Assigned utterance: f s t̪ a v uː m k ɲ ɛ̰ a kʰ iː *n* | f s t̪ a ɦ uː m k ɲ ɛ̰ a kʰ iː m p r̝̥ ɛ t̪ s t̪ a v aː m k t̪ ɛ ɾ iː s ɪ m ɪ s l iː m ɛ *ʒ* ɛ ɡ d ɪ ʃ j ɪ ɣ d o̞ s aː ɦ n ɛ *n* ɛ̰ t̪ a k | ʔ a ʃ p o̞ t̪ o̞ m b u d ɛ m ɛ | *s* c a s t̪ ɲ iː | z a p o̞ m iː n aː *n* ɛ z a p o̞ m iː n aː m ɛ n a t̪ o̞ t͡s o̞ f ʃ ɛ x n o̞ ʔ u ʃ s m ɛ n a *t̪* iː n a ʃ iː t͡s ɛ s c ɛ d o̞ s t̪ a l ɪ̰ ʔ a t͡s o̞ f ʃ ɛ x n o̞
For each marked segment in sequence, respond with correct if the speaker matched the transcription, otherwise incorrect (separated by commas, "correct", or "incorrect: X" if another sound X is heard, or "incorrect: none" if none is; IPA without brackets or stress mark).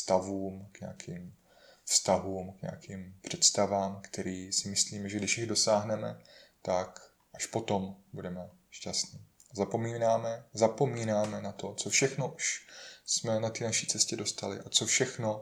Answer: incorrect: m, correct, incorrect: m, incorrect: ʃ, incorrect: m, correct